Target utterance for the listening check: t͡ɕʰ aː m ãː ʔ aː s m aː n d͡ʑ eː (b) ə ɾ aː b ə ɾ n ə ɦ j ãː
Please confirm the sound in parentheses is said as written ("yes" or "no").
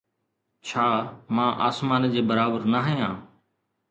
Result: yes